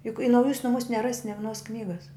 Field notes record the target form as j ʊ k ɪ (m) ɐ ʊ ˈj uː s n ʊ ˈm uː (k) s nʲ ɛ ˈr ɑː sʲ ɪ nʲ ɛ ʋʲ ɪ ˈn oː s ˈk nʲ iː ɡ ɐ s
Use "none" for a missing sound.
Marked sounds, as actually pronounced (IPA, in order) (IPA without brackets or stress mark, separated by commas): n, none